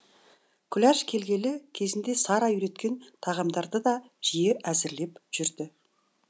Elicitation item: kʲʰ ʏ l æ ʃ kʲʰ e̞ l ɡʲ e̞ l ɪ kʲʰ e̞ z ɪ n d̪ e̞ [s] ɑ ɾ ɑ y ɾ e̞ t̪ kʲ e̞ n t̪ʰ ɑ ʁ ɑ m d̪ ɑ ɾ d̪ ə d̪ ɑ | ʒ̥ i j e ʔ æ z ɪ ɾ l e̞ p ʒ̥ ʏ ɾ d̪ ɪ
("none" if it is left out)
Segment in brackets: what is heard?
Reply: s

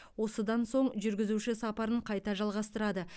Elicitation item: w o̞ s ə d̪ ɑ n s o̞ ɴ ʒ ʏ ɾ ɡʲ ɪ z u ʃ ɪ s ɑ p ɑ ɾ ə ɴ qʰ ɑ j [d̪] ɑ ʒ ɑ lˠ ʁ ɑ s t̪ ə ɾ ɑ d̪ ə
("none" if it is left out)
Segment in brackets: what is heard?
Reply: t̪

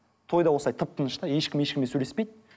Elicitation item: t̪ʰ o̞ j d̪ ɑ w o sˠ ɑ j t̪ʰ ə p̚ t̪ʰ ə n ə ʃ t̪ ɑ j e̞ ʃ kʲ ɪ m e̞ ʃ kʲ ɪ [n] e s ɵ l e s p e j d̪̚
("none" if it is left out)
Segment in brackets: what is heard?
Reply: m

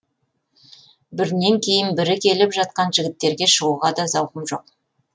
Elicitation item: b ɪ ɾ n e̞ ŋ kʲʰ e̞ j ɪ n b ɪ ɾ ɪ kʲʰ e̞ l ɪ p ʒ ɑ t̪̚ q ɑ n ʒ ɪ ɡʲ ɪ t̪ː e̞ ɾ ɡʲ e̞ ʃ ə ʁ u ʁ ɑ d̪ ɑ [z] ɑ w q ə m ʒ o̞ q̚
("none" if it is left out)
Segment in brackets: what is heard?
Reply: z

